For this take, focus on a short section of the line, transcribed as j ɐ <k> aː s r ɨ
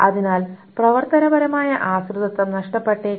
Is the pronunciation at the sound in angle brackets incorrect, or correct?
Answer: incorrect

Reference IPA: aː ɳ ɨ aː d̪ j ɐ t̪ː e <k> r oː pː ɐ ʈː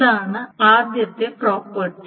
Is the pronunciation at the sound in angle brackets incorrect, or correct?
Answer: incorrect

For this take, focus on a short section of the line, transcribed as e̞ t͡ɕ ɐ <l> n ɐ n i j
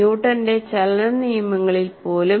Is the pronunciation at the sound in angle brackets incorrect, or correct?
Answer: correct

